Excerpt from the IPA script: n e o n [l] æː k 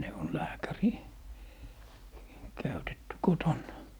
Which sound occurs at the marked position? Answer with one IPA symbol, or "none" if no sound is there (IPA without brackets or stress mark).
l